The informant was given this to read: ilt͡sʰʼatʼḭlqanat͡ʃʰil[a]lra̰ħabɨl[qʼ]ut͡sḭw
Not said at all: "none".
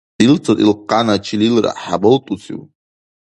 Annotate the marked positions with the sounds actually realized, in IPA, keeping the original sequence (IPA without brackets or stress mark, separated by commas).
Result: i, tʼ